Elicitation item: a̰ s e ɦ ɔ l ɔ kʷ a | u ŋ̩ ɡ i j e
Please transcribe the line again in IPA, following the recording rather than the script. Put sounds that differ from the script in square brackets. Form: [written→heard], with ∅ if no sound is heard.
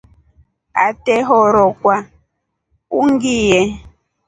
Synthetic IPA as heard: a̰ [s→t] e ɦ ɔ [l→ɾ] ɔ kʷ a | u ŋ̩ ɡ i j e